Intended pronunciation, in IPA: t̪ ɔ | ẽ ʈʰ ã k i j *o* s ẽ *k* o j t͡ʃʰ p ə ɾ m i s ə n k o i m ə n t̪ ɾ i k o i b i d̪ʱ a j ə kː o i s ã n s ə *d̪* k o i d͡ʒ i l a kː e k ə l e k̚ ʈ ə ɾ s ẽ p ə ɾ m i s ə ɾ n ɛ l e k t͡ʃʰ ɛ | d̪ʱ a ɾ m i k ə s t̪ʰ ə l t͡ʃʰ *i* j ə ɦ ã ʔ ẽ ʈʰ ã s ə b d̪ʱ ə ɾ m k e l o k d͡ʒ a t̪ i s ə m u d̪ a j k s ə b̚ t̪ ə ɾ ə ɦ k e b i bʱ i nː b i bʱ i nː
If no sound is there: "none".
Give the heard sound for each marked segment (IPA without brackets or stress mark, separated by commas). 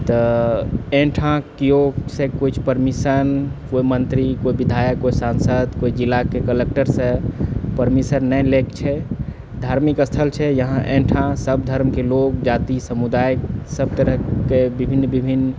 o, k, d̪, ɛ